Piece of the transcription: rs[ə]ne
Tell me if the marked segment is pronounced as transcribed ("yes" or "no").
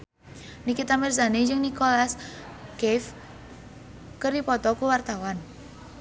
no